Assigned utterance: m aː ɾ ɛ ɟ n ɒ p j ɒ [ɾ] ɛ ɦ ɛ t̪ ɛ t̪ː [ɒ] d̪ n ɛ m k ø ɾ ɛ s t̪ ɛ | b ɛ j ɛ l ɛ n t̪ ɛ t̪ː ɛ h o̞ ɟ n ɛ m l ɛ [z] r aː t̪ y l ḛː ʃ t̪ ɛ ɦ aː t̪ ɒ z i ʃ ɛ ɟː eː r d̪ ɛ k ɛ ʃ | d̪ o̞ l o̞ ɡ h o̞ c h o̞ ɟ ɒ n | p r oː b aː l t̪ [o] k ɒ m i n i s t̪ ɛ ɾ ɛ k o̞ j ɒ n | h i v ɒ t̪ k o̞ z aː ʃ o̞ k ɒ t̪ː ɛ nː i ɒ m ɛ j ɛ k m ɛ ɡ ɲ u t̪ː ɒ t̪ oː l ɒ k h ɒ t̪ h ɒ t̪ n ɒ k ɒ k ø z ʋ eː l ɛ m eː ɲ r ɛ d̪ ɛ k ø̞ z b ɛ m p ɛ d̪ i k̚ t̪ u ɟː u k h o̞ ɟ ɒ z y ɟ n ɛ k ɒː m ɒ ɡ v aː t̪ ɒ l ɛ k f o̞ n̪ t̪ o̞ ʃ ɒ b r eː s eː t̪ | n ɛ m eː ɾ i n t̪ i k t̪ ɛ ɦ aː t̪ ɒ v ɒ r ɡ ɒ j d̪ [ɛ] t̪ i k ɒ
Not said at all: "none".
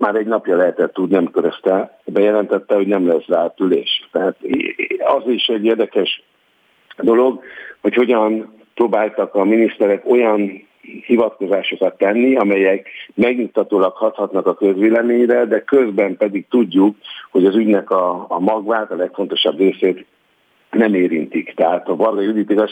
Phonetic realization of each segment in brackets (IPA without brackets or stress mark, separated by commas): l, u, s, ɒ, i